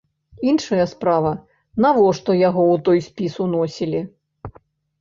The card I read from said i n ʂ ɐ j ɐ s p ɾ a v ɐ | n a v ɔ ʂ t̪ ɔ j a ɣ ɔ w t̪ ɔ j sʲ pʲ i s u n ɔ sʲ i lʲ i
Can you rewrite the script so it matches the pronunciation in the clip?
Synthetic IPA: i n ʂ ɐ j ɐ s p ɾ a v ɐ | n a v ɔ ʂ t̪ ɔ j a ɣ ɔ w t̪ ɔ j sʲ pʲ i s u n ɔ sʲ i lʲ i

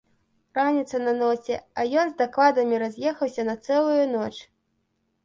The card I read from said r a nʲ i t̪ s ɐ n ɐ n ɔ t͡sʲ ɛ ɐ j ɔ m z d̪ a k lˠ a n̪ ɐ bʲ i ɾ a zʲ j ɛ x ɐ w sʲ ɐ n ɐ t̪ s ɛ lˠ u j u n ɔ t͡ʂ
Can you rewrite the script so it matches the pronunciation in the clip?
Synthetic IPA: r a nʲ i t̪ s ɐ n ɐ n ɔ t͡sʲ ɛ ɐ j ɔ n z d̪ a k lˠ a d̪ ɐ mʲ i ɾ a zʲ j ɛ x ɐ w sʲ ɐ n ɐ t̪ s ɛ lˠ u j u n ɔ t͡ʂ

